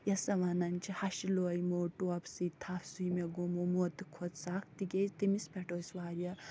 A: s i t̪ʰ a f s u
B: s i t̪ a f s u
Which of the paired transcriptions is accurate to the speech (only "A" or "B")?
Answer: A